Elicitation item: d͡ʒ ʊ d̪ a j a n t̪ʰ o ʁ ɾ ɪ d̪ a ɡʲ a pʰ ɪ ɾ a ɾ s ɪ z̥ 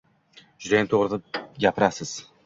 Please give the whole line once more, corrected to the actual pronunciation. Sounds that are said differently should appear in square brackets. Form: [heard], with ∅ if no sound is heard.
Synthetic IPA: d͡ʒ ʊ d̪ a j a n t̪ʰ o ʁ ɾ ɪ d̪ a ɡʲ a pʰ ɪ ɾ a [∅] s ɪ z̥